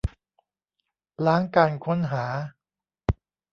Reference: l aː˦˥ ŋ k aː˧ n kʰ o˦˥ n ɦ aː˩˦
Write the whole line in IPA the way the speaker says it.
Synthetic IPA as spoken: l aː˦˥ ŋ k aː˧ n kʰ o˦˥ n ɦ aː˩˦